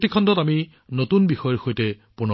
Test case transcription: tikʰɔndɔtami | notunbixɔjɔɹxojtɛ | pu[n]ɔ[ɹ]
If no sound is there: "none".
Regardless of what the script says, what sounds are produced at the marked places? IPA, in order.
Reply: n, none

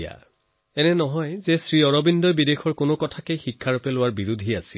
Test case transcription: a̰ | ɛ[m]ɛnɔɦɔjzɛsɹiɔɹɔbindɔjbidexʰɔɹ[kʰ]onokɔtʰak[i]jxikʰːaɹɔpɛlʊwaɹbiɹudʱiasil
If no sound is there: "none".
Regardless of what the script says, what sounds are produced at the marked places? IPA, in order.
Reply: n, k, e

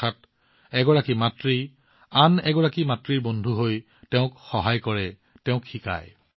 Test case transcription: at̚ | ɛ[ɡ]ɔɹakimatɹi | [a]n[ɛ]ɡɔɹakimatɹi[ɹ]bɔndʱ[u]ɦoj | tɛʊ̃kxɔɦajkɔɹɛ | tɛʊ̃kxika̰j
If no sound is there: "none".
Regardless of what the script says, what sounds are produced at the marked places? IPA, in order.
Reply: ɡ, a, ɛ, ɹ, u

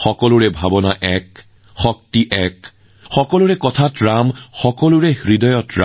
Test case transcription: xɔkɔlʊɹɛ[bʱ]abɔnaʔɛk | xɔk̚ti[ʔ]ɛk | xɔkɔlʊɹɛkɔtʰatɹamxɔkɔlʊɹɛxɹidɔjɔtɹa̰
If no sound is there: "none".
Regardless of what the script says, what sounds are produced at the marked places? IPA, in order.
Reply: bʱ, ʔ

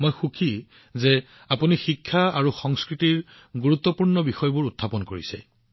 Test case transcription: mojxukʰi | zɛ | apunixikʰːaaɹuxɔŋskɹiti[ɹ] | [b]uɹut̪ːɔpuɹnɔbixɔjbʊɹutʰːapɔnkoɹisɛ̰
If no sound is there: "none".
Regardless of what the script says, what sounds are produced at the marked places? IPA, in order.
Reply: ɹ, ɡ

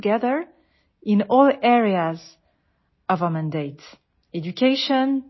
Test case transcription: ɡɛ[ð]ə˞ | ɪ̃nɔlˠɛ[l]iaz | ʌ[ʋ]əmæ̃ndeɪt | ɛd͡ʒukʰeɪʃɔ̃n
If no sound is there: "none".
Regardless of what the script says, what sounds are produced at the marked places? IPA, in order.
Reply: ð, ɹ, v

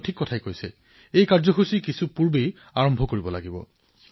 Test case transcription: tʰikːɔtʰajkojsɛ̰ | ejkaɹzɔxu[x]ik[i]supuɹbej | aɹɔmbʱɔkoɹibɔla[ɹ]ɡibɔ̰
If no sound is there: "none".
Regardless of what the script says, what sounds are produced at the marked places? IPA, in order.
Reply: s, i, none

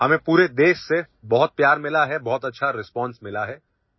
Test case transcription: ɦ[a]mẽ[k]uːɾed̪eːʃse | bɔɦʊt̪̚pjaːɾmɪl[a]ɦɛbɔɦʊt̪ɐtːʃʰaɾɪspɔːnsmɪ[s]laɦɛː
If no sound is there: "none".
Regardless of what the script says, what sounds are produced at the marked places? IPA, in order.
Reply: ɐ, p, a, none

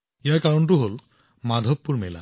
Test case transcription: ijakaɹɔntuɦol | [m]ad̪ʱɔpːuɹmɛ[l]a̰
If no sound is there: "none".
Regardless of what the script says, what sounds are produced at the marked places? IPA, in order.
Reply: m, l

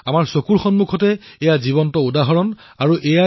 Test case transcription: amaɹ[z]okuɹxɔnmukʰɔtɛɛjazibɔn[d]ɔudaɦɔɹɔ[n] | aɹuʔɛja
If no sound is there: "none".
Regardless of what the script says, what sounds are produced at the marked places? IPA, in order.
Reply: s, t, n

